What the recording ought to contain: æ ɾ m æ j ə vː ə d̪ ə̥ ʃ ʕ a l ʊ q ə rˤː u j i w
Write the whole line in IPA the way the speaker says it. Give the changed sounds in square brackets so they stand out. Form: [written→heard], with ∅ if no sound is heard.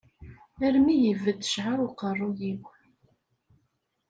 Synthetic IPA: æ ɾ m [æ→i] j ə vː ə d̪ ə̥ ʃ ʕ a [l→ɾ] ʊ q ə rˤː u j i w